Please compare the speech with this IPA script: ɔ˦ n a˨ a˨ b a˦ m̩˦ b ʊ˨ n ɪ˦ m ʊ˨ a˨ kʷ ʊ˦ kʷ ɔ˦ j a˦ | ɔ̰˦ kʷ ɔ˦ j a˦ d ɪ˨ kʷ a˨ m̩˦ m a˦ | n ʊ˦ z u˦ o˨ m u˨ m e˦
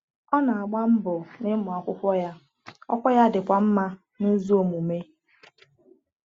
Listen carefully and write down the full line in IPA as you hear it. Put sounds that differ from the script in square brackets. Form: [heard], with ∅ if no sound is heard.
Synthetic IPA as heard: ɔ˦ n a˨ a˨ [ɡ͡b] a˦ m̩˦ b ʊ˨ n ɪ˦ m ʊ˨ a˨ kʷ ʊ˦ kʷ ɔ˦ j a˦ | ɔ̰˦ kʷ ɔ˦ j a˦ d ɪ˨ kʷ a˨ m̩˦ m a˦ | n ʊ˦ z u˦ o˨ m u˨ m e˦